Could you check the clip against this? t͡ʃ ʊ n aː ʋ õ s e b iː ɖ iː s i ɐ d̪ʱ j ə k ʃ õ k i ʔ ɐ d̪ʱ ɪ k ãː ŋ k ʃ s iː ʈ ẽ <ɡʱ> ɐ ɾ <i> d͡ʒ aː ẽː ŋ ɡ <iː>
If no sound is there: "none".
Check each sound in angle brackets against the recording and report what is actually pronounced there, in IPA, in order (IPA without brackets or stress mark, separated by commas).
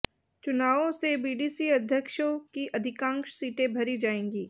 bʱ, i, iː